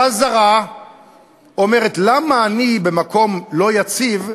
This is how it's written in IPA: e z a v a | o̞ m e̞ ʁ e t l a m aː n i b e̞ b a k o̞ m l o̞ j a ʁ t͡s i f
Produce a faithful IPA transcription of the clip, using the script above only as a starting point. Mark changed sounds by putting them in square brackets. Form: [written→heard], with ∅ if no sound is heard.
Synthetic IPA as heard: [e→a] z a [v→ʁ] a | o̞ m e̞ ʁ e t l a m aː n i b e̞ [b→m] a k o̞ m l o̞ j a [ʁ→∅] t͡s i [f→v]